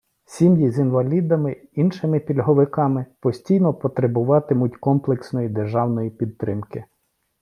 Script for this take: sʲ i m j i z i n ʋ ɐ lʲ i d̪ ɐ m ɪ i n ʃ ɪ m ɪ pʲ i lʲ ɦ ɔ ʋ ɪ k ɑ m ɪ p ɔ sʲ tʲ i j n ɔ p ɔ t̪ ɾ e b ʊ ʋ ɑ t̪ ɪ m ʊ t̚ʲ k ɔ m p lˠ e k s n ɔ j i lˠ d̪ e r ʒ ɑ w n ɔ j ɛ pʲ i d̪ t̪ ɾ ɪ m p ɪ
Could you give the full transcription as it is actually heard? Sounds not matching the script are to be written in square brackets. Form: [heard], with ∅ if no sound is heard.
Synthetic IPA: sʲ i m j i z i n ʋ ɐ lʲ i d̪ ɐ m ɪ i n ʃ ɪ m ɪ pʲ i lʲ ɦ ɔ ʋ ɪ k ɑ m ɪ p ɔ sʲ tʲ i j n ɔ p ɔ t̪ ɾ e b ʊ ʋ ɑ t̪ ɪ m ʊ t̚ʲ k ɔ m p lˠ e k s n ɔ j i [∅] d̪ e r ʒ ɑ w n ɔ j [i] pʲ i d̪ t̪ ɾ ɪ m [k] ɪ

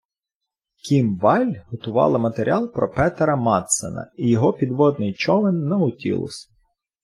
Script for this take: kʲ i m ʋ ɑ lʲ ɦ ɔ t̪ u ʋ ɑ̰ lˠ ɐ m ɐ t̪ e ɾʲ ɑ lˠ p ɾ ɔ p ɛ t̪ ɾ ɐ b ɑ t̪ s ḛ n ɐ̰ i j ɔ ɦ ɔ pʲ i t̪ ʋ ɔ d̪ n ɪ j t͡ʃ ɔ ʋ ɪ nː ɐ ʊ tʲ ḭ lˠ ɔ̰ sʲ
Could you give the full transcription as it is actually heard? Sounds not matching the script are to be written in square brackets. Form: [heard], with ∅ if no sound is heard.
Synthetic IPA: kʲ i m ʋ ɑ lʲ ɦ ɔ t̪ [ʊ] ʋ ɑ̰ lˠ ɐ m ɐ t̪ e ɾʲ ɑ lˠ p ɾ ɔ p ɛ t̪ ɾ ɐ [m] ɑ t̪ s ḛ n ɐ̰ i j ɔ ɦ ɔ pʲ i [d̪] ʋ ɔ d̪ n ɪ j t͡ʃ ɔ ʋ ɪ nː ɐ ʊ tʲ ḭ lˠ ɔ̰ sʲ

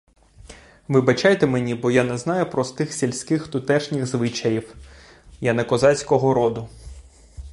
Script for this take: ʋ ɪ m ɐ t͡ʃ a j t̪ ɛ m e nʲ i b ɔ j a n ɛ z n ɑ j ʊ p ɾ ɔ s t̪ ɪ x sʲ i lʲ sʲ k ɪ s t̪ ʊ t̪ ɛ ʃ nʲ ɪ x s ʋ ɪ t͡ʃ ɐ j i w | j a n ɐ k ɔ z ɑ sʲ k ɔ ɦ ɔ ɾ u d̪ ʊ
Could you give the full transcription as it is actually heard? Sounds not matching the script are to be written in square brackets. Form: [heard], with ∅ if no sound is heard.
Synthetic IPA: ʋ ɪ [b] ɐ t͡ʃ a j t̪ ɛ m e nʲ i b ɔ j a n ɛ z n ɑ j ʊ p ɾ ɔ s t̪ ɪ x sʲ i lʲ sʲ k ɪ [x] t̪ ʊ t̪ ɛ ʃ nʲ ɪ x [z] ʋ ɪ t͡ʃ ɐ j i w | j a n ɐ k ɔ z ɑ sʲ k ɔ ɦ ɔ ɾ [ɔ] d̪ ʊ

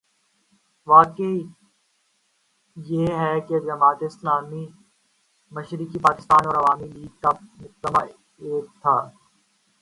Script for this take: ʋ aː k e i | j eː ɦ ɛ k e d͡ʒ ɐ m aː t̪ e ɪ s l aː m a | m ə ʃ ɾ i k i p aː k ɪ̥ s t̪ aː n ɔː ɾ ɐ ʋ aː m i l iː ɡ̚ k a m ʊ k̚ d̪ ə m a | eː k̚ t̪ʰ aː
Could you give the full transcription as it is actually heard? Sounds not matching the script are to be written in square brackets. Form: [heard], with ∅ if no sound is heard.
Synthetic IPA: ʋ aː k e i | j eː ɦ ɛ k e d͡ʒ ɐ m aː t̪ e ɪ s l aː m [i] | m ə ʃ ɾ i k i p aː k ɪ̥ s t̪ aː n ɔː ɾ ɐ ʋ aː m i l iː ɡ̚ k a m ʊ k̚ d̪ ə m a | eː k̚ t̪ʰ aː

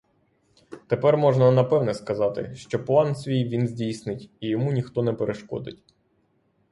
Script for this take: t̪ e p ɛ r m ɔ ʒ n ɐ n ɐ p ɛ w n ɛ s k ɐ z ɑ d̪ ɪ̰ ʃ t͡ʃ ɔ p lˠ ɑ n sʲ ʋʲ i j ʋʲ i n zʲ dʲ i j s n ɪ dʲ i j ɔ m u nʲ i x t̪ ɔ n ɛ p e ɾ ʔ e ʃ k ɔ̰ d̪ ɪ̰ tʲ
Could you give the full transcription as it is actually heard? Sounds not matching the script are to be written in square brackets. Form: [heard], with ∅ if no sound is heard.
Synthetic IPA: t̪ e p ɛ r m ɔ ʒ n ɐ n ɐ p ɛ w n ɛ s k ɐ z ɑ [t̪] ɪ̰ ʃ t͡ʃ ɔ p lˠ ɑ n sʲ ʋʲ i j ʋʲ i n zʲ dʲ i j s n ɪ [tʲ] i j ɔ m u nʲ i x t̪ ɔ n ɛ p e ɾ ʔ e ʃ k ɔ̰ d̪ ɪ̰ tʲ

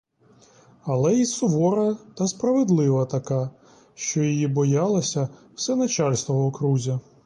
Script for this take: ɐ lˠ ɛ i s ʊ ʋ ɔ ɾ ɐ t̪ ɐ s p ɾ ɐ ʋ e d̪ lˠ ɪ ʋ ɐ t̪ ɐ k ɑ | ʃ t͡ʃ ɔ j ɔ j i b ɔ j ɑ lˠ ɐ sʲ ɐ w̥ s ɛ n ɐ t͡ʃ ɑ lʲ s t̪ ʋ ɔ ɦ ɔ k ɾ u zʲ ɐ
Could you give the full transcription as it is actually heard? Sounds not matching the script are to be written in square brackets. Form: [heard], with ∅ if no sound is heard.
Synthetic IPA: ɐ lˠ ɛ i s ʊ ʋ ɔ ɾ ɐ t̪ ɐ s p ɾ ɐ ʋ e d̪ lˠ ɪ ʋ ɐ t̪ ɐ k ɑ | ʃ t͡ʃ ɔ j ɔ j i b ɔ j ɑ lˠ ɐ sʲ ɐ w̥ s ɛ n ɐ t͡ʃ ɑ lʲ s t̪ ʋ ɔ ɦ ɔ k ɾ u zʲ ɐ

